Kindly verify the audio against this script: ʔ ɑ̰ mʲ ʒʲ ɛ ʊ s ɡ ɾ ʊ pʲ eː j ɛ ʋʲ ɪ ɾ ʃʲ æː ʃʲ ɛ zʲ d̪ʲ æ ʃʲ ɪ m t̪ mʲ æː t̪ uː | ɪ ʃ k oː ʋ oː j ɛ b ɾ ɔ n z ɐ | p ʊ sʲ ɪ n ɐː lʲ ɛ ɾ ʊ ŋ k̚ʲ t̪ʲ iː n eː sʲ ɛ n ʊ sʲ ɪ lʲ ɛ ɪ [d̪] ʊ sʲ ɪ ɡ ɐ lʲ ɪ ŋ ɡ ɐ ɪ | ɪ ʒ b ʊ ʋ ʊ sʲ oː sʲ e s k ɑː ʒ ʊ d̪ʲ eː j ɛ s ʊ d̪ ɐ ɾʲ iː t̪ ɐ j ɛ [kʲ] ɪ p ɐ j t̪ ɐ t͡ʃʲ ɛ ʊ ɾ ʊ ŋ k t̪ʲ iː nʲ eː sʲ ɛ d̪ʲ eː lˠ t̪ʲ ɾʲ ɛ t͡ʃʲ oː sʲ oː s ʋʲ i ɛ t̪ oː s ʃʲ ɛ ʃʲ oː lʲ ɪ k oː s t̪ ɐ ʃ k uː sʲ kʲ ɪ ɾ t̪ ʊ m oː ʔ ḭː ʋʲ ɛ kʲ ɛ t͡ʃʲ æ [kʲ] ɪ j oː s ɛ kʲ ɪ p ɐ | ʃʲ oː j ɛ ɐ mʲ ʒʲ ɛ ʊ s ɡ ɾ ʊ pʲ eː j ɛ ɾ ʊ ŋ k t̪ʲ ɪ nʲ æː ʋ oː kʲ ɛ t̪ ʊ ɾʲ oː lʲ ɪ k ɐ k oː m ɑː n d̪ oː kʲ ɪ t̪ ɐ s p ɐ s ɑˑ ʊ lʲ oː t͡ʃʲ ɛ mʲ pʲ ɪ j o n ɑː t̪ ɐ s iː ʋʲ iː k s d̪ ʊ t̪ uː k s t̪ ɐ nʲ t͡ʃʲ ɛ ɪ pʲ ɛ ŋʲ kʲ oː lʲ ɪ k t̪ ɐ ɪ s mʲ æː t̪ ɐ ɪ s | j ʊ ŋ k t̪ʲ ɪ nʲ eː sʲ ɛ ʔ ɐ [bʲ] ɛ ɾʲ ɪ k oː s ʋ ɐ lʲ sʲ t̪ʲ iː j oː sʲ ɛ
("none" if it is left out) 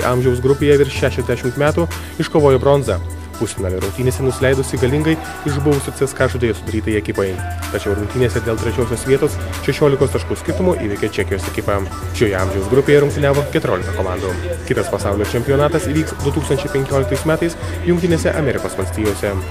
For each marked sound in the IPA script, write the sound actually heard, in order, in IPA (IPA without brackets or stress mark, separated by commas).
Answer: d̪, kʲ, kʲ, mʲ